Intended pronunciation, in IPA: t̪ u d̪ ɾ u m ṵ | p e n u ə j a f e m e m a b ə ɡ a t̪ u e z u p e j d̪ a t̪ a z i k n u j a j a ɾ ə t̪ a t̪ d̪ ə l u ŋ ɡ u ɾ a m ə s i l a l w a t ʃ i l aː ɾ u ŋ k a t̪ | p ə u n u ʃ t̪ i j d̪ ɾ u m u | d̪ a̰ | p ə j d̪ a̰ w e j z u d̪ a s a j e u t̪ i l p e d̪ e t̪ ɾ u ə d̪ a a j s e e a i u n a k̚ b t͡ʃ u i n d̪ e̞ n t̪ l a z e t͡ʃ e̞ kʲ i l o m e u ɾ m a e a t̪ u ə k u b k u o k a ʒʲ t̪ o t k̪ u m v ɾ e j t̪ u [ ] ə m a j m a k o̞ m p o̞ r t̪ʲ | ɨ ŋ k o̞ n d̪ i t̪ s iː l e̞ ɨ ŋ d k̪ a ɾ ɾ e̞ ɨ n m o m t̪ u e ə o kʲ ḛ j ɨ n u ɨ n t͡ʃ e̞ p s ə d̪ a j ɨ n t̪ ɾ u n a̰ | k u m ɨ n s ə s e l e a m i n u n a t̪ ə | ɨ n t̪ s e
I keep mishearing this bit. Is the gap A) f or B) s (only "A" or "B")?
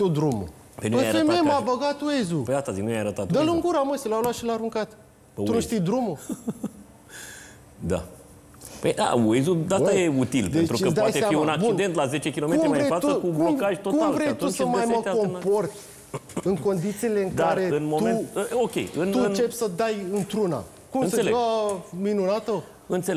B